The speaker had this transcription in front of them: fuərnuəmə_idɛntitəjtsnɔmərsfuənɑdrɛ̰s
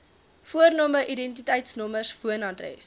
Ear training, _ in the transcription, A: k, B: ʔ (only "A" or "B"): B